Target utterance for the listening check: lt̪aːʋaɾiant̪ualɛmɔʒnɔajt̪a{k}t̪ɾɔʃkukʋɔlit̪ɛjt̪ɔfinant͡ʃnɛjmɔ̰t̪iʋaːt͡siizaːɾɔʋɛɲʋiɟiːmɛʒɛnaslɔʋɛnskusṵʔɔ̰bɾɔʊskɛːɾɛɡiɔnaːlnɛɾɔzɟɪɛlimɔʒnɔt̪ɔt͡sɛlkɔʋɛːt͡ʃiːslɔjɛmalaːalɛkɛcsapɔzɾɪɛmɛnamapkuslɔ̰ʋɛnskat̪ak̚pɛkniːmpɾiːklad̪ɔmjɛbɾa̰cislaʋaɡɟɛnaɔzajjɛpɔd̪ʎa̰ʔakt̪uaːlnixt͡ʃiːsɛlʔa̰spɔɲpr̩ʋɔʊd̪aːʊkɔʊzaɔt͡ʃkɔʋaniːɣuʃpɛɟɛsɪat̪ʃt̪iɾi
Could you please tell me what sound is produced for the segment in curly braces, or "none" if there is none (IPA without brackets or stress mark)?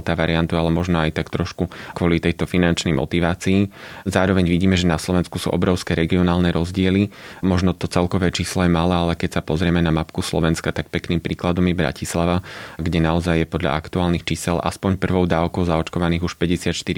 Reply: k